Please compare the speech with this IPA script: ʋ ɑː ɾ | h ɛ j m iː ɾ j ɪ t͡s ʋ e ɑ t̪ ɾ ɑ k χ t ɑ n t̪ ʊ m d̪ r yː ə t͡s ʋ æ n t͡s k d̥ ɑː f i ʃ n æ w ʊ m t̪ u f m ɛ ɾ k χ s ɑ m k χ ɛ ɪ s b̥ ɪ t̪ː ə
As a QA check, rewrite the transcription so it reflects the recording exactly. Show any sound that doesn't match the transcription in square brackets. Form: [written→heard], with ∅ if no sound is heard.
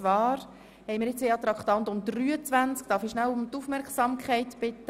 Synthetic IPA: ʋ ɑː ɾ | h ɛ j m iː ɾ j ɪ t͡s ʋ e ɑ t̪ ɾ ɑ k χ t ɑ n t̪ ʊ m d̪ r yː ə t͡s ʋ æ n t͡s k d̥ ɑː f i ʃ n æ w ʊ m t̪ u f m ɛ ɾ k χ s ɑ m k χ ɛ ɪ [s→t] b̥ ɪ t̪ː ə